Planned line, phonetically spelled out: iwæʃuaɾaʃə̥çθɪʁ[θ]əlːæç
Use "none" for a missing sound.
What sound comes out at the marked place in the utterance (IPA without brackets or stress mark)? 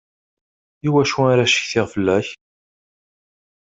f